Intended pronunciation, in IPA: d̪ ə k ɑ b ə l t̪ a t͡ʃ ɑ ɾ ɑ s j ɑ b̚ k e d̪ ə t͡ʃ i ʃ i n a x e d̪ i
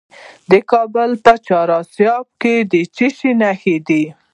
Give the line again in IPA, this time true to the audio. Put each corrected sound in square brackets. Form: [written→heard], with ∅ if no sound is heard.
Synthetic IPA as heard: d̪ ə k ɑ b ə l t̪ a t͡ʃ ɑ ɾ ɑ s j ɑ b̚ k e d̪ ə t͡ʃ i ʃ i n a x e d̪ i

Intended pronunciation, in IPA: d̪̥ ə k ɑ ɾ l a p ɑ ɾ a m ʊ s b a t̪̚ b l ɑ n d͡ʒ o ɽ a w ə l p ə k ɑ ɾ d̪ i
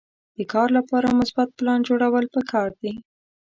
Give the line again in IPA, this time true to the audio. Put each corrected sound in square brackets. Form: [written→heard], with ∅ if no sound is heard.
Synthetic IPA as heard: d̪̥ ə k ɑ ɾ l a p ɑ ɾ a m ʊ s b a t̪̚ [b→p] l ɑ n d͡ʒ o ɽ a w ə l p ə k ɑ ɾ d̪ i

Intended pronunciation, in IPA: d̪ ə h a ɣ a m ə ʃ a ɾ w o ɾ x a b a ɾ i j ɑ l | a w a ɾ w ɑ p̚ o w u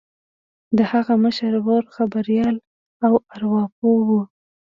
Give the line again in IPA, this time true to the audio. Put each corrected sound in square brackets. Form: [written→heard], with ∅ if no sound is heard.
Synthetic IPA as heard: d̪ ə h a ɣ a m ə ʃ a ɾ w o ɾ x a b a ɾ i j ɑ l | a w a ɾ w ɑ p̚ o w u

